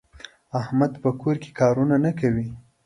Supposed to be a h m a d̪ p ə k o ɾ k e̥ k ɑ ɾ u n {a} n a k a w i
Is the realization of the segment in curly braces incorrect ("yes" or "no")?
no